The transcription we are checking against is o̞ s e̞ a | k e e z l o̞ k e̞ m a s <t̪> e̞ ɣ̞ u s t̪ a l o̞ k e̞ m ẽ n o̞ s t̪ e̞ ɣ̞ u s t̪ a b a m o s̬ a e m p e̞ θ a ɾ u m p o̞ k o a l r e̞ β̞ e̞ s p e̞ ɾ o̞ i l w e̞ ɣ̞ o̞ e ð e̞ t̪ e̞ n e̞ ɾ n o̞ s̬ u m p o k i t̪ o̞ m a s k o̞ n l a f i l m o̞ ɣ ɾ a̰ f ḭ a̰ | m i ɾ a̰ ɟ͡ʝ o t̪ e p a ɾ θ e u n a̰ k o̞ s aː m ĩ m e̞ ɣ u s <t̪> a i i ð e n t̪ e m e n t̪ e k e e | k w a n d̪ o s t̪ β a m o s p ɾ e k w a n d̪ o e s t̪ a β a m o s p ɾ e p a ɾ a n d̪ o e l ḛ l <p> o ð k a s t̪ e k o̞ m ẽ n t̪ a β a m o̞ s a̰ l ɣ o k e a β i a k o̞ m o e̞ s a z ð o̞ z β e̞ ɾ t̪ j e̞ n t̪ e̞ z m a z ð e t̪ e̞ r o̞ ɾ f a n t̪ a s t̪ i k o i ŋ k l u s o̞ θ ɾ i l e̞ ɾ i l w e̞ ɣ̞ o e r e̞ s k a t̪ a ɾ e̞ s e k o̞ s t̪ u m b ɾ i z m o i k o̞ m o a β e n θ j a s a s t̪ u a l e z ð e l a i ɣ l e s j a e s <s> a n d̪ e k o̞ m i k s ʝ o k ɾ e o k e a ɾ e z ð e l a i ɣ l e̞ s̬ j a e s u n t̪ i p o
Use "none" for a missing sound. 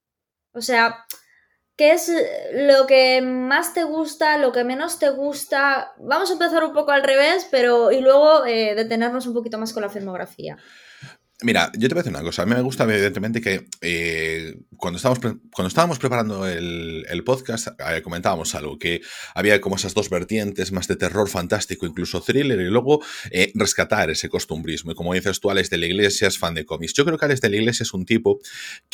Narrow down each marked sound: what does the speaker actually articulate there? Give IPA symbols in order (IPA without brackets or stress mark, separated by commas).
t̪, t̪, p, f